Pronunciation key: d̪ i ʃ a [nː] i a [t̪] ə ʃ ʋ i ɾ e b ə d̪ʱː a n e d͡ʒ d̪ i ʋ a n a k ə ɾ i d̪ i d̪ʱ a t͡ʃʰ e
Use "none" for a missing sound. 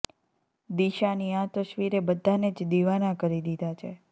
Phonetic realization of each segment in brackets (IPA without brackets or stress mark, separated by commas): n, t̪